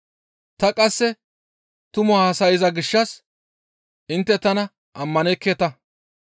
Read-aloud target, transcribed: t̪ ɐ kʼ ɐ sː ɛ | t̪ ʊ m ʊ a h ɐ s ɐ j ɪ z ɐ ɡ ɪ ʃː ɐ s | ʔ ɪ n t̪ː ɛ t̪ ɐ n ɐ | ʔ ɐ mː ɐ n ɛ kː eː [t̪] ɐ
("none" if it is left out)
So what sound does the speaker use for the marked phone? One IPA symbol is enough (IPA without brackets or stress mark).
t̪